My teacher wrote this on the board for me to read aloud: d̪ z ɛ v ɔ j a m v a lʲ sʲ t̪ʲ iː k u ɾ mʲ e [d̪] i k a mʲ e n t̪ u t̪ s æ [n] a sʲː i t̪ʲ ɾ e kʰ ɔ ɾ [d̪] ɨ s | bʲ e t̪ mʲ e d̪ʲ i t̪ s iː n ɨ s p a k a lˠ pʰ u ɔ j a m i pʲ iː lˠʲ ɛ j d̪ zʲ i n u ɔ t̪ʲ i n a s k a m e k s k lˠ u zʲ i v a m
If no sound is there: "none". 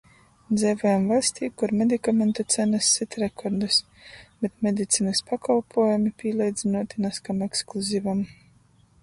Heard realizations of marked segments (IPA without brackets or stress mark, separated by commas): d̪, n, d̪